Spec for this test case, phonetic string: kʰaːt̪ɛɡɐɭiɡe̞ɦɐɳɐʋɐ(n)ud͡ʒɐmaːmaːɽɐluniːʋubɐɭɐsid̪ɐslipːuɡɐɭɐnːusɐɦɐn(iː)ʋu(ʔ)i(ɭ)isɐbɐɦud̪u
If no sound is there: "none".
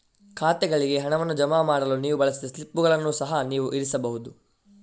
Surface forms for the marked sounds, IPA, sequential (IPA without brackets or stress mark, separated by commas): nː, iː, ʔ, ɾ